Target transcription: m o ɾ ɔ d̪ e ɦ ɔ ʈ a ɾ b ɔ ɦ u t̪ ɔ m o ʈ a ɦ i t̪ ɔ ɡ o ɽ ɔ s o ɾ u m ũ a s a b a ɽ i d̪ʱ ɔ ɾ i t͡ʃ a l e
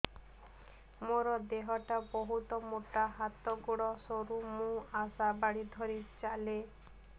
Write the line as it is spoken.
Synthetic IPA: m o ɾ ɔ d̪ e ɦ ɔ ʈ a b ɔ ɦ u t̪ ɔ m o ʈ a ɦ a t̪ ɔ ɡ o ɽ ɔ s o ɾ u m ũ a s a b a ɽ i d̪ʱ ɔ ɾ i t͡ʃ a l e